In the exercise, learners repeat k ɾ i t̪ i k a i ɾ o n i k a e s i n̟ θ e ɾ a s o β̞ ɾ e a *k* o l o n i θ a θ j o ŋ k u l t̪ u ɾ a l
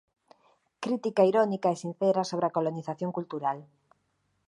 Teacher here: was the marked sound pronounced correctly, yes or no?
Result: yes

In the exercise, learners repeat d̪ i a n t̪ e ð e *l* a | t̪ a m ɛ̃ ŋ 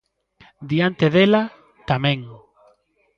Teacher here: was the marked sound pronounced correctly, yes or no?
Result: yes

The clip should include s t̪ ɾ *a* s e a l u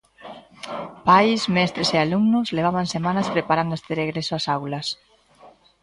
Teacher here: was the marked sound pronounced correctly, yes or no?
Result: no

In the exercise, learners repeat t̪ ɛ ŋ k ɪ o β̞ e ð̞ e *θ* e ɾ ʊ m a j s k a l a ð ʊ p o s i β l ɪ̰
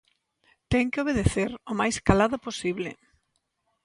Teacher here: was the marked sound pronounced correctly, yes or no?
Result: yes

